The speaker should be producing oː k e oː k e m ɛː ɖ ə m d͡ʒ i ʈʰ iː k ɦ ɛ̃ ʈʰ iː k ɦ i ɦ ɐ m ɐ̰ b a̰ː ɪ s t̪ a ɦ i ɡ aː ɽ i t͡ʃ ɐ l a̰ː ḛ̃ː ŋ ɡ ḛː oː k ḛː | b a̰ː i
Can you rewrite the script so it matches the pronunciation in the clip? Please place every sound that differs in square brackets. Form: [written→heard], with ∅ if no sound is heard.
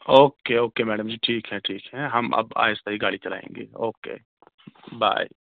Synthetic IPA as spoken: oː k e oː k e m ɛː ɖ ə m d͡ʒ i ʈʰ iː k ɦ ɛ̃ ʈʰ iː k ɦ [i→ɛ] ɦ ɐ m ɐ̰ b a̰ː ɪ s t̪ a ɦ i ɡ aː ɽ i t͡ʃ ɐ l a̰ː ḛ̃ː ŋ ɡ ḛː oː k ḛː | b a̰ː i